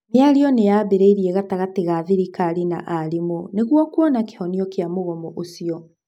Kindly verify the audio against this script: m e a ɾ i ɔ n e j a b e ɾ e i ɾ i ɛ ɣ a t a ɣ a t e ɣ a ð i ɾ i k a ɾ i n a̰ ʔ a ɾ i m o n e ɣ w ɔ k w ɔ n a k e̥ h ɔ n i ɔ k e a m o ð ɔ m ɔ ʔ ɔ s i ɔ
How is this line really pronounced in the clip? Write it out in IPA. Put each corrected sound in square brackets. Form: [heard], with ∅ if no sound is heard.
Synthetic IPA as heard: m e a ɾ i ɔ n e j a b e ɾ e i ɾ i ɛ ɣ a t a ɣ a t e ɣ a ð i ɾ i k a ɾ i n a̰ ʔ a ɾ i m o n e ɣ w ɔ k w ɔ n a k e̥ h ɔ n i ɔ k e a m o [ɣ] ɔ m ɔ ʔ [o] s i ɔ